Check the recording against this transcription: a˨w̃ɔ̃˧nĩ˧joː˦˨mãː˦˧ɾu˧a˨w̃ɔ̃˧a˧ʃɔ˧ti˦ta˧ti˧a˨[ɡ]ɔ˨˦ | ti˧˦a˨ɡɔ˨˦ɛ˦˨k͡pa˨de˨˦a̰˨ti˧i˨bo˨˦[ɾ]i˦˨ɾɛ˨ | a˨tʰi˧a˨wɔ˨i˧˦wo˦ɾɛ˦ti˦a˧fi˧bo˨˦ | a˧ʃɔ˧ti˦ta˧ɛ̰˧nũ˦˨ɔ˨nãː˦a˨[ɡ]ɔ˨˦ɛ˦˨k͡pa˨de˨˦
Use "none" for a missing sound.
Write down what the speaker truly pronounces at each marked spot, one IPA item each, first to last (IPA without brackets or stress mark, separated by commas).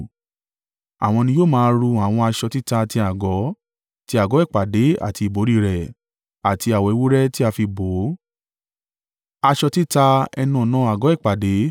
ɡ, ɾ, ɡ